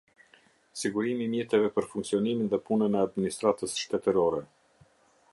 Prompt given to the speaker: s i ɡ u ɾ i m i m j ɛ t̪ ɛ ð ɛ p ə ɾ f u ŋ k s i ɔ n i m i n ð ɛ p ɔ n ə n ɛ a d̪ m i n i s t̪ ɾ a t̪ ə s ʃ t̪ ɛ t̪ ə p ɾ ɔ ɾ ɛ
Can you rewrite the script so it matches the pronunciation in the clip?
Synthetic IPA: s i ɡ u ɾ i m i m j ɛ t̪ ɛ v ɛ p ə ɾ f u ŋ k s i ɔ n i m i n ð ɛ p u n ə n ɛ a d̪ m i n i s t̪ ɾ a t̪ ə s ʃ t̪ ɛ t̪ ə ɾ ɔ ɾ ɛ